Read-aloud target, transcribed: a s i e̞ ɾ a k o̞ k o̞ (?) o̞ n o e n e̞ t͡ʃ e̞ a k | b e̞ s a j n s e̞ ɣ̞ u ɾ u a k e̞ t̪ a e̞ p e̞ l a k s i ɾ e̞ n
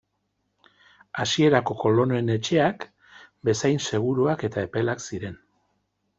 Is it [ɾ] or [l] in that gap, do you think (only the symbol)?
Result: l